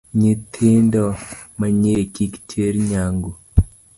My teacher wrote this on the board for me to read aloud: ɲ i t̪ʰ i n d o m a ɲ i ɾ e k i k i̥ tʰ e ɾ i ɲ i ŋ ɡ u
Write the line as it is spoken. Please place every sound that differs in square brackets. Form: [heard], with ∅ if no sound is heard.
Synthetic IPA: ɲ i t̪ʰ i n d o m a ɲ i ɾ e k i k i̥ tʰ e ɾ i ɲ [a] ŋ ɡ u